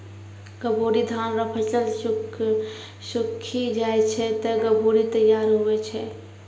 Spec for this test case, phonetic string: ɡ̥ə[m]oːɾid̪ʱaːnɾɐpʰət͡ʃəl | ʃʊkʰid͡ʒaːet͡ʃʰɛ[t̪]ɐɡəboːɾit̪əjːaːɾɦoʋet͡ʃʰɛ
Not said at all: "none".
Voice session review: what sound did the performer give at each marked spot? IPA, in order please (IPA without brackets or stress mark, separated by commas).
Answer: b, t̪